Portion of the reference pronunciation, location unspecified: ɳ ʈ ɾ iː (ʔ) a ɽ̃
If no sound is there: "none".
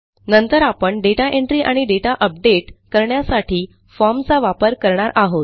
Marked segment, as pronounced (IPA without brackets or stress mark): ʔ